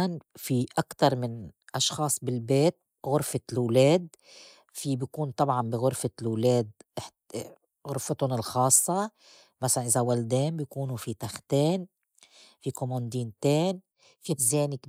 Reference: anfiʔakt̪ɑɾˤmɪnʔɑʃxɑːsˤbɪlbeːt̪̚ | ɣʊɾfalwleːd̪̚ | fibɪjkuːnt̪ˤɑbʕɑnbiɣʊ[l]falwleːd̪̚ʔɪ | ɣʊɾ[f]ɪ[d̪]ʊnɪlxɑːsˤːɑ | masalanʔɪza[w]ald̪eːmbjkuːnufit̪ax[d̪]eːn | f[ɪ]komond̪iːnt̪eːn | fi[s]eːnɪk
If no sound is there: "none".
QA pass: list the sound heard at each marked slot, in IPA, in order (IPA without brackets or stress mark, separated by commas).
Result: ɾ, f, t̪, w, t̪, i, z